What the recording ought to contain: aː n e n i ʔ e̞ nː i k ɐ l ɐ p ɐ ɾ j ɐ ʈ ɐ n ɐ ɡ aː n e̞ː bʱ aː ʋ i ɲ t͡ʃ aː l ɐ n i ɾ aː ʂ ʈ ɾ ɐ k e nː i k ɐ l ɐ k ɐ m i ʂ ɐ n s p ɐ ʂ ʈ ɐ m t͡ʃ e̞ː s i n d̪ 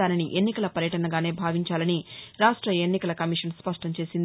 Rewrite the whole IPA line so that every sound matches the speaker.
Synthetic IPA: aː n i n i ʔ e̞ nː i k ɐ l ɐ p ɐ ɾ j ɐ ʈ ɐ n ɐ ɡ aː n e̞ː bʱ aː ʋ i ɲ t͡ʃ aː l ɐ n i ɾ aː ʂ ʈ ɾ ɐ e nː i k ɐ l ɐ k ɐ m i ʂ ɐ n s p ɐ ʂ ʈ ɐ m t͡ʃ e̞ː s i n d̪